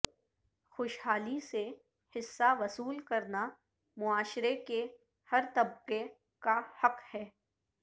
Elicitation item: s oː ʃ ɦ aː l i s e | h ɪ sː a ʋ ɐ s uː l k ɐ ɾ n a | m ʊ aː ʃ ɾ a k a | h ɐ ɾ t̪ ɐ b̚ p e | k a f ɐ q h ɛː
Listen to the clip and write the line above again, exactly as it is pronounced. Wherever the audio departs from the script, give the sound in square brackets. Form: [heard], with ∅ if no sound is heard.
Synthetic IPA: [x] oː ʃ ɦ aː l i s e | h ɪ sː a ʋ ɐ s uː l k ɐ ɾ n a | m ʊ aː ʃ ɾ [e] k [e] | h ɐ ɾ t̪ ɐ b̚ [q] e | k a [h] ɐ q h ɛː